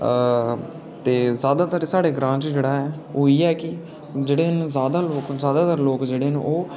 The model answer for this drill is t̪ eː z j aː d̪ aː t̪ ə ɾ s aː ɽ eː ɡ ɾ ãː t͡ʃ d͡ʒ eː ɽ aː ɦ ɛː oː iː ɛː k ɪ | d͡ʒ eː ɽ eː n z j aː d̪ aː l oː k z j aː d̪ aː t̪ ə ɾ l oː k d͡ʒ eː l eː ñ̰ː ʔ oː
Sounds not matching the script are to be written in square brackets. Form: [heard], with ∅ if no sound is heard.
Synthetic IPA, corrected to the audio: t̪ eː z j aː d̪ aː t̪ ə ɾ s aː ɽ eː ɡ ɾ ãː t͡ʃ d͡ʒ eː ɽ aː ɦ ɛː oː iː ɛː k ɪ | d͡ʒ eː ɽ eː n z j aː d̪ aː l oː k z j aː d̪ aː t̪ ə ɾ l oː k d͡ʒ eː [ɽ] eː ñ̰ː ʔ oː